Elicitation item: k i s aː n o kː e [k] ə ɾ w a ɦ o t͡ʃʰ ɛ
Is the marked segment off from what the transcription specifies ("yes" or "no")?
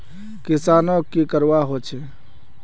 no